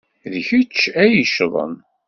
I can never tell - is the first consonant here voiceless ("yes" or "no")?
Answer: no